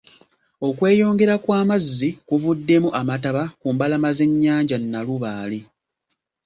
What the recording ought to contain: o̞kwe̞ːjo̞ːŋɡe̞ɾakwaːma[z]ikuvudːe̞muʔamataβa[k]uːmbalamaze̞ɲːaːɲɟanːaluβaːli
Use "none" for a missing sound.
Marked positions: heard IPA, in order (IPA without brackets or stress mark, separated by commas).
zː, k